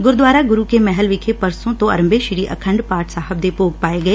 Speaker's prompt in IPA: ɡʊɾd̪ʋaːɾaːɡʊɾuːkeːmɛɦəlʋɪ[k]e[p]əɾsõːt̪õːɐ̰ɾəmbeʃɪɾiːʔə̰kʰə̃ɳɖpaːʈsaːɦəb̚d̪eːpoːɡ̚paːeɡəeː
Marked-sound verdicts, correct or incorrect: incorrect: kʰ, correct

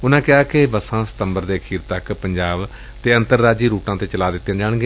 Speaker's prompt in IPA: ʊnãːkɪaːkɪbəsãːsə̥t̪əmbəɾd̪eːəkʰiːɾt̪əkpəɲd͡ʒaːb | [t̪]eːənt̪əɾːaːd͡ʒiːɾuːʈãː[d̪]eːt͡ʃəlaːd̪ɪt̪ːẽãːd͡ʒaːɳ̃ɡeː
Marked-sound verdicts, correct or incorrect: correct, incorrect: t̪

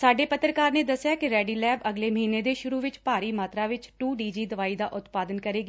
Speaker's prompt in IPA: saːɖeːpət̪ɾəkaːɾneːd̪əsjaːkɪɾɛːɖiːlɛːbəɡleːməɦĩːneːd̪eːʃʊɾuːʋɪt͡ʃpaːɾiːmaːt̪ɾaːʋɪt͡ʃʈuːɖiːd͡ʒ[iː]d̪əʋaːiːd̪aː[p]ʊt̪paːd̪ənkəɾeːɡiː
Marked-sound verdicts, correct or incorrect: correct, incorrect: ʔ

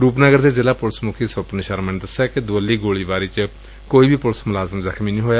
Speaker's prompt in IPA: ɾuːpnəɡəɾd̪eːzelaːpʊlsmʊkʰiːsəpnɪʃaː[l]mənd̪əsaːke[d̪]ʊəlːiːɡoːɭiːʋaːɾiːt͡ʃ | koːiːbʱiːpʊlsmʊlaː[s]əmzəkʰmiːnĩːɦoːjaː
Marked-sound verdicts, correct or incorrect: incorrect: ɾ, correct, incorrect: z

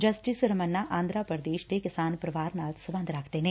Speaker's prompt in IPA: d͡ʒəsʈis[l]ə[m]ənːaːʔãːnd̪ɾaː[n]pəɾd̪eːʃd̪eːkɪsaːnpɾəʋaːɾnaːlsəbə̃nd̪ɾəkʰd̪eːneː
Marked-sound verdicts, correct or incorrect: incorrect: ɾ, correct, incorrect: none

